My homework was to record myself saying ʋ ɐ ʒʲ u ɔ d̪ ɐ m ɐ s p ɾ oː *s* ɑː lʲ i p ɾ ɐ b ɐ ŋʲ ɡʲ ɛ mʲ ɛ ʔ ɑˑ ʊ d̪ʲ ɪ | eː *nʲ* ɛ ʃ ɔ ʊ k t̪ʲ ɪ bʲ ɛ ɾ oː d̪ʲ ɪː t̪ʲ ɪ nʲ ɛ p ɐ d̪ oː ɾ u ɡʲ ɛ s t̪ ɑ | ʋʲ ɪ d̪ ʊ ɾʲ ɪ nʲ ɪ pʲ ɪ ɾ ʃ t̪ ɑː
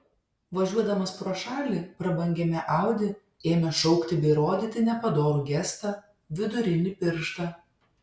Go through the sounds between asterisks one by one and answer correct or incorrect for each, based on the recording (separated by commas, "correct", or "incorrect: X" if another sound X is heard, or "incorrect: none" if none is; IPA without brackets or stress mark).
incorrect: ʃ, incorrect: mʲ